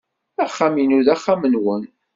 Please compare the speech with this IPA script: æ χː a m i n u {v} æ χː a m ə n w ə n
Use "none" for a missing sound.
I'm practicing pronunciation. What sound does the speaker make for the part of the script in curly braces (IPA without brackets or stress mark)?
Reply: ð